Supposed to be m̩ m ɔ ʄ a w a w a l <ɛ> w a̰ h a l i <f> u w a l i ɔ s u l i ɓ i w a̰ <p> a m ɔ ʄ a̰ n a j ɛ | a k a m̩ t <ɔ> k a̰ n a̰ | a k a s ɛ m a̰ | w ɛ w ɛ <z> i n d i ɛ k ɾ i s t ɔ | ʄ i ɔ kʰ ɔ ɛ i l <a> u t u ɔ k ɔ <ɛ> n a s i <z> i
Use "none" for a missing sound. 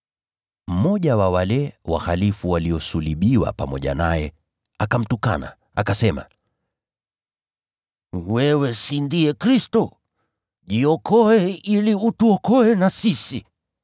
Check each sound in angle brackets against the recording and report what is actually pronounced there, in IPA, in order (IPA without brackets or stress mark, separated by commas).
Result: ɛ, f, p, u, s, i, ɛ, s